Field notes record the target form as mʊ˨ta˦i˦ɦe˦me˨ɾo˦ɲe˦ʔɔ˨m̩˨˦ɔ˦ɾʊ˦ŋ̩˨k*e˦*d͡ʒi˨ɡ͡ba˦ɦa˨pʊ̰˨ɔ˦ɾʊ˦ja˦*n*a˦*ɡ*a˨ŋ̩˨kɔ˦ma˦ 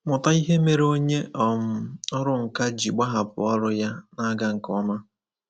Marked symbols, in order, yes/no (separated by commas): no, yes, yes